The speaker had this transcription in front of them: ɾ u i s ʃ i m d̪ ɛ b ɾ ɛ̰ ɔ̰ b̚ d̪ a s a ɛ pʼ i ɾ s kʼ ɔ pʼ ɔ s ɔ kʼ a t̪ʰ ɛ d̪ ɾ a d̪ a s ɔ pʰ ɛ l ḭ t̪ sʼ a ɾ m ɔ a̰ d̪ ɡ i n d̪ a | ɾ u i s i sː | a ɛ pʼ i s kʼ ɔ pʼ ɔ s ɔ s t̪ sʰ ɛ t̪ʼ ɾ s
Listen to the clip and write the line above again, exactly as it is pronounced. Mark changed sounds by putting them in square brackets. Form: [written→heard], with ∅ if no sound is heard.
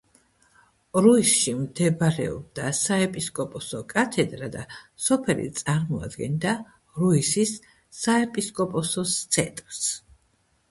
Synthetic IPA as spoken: ɾ u i s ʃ i m d̪ ɛ b ɾ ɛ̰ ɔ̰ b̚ d̪ a s a ɛ pʼ i [ɾ→∅] s kʼ ɔ pʼ ɔ s ɔ kʼ a t̪ʰ ɛ d̪ ɾ a d̪ a s ɔ pʰ ɛ l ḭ t̪ sʼ a ɾ m ɔ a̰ d̪ ɡ [i→ɛ] n d̪ a | ɾ u i s i sː | a ɛ pʼ i s kʼ ɔ pʼ ɔ s ɔ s t̪ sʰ ɛ t̪ʼ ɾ s